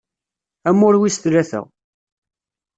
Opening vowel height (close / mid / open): open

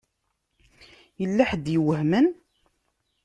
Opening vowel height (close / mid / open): mid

